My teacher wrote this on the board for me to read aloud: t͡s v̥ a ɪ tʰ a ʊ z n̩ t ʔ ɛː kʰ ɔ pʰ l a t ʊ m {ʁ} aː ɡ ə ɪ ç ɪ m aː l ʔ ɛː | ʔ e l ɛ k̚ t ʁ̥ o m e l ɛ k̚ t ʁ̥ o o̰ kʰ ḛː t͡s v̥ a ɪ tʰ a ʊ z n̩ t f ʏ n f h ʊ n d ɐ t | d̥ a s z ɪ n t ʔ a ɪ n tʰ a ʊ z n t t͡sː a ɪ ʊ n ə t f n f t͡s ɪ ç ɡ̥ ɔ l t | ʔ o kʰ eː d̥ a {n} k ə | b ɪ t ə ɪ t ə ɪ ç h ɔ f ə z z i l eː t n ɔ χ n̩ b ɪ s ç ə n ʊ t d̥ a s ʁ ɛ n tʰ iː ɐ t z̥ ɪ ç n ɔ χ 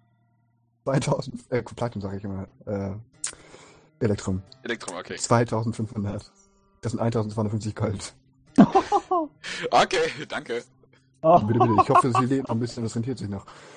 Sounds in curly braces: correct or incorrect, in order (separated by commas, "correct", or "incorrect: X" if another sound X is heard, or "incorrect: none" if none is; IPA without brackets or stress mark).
incorrect: z, incorrect: ŋ